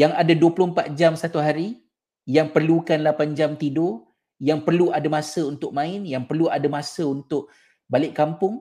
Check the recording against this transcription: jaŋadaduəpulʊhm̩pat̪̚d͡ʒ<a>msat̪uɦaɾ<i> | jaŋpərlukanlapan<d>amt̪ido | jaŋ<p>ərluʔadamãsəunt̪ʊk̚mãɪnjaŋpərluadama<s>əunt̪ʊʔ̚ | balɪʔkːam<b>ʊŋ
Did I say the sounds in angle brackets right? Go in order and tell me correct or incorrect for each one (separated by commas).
correct, correct, incorrect, correct, correct, incorrect